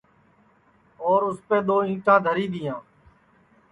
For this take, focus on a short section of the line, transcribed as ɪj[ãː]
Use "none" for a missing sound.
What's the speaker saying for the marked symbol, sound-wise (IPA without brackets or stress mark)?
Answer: ãː